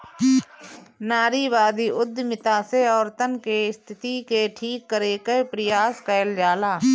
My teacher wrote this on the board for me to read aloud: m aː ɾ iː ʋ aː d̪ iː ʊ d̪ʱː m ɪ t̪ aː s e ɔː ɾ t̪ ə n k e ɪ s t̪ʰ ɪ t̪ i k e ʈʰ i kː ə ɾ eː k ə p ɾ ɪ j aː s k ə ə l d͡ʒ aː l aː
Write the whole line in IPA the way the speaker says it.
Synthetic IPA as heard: n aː ɾ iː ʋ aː d̪ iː ʊ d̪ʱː m ɪ t̪ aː s e ɔː ɾ t̪ ə n k e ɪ s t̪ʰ ɪ t̪ i k e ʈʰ iː kː ə ɾ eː k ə p ɾ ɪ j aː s k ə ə l d͡ʒ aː l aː